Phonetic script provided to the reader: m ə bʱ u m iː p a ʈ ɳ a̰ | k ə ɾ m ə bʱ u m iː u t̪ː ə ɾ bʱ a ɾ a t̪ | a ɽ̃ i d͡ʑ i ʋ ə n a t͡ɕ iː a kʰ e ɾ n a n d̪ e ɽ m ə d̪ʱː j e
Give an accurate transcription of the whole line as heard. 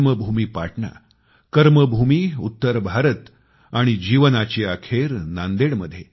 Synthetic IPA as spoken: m ə bʱ u m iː p a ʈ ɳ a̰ | k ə ɾ m ə bʱ u m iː u t̪ː ə ɾ bʱ a ɾ ə t̪ | a ɽ̃ i d͡ʑ i ʋ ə n a t͡ɕ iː a kʰ e ɾ n a n d̪ e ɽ m ə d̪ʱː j e